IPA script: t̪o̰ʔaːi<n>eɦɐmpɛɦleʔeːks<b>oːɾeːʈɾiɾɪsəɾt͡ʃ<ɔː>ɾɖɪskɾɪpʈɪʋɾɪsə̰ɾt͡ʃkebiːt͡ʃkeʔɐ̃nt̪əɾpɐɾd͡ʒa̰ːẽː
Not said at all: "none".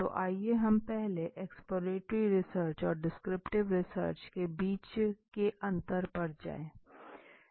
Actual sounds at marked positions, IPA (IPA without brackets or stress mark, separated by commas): none, p, ɔː